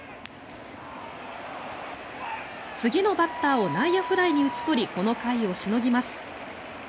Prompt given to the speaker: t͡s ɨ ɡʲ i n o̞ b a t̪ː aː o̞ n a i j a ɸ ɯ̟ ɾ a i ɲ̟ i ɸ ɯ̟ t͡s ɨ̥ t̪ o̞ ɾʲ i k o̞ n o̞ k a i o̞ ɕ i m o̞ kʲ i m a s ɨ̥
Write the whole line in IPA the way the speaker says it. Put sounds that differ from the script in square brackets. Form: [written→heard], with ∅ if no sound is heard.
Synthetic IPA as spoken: t͡s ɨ ɡʲ i n o̞ b a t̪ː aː o̞ n a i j a ɸ ɯ̟ ɾ a i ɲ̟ i [ɸ→∅] ɯ̟ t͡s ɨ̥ t̪ o̞ ɾʲ i k o̞ n o̞ k a i o̞ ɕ i [m→n] o̞ [kʲ→ɡʲ] i m a s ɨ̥